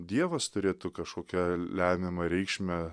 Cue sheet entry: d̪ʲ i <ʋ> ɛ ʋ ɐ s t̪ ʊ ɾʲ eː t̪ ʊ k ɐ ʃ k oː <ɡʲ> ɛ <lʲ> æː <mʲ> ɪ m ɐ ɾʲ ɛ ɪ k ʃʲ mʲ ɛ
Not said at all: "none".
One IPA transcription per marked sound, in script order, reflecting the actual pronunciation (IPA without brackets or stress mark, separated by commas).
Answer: none, kʲ, lʲ, mʲ